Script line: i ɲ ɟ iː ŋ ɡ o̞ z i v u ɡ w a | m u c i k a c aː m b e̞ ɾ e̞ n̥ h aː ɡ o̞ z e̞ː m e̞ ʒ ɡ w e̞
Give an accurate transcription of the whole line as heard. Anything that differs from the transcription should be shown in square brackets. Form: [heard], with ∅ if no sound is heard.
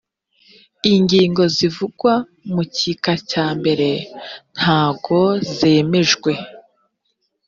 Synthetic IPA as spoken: i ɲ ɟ iː ŋ ɡ o̞ z i v u ɡ w a | m u c i k a c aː m b e̞ ɾ e̞ n̥ h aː ɡ o̞ z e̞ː m e̞ ʒ ɡ w e̞